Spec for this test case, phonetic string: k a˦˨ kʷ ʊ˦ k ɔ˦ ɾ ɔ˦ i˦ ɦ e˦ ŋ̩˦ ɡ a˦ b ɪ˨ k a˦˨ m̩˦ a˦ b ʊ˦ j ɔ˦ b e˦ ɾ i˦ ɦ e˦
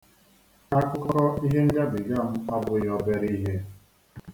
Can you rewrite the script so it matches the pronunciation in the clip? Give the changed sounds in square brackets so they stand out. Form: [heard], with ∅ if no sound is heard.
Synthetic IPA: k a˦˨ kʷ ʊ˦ k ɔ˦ ɾ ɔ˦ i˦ ɦ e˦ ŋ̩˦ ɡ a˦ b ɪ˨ [ɡ] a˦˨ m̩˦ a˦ b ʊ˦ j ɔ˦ b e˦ ɾ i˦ ɦ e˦